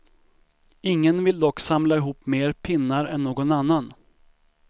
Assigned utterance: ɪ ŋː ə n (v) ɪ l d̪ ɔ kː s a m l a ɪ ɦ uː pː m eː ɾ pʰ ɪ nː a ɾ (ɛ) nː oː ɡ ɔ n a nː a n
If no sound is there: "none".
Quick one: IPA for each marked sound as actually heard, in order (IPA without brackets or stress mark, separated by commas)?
v, ɛ